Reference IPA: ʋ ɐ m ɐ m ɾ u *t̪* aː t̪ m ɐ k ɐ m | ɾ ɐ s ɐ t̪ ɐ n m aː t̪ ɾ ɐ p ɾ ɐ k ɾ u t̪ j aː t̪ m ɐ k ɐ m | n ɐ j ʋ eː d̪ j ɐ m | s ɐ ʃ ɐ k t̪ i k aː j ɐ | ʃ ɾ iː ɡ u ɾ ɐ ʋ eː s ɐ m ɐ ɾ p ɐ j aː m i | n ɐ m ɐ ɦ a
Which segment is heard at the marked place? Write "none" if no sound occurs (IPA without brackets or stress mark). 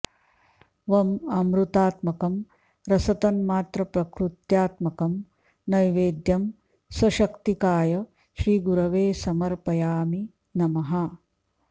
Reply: t̪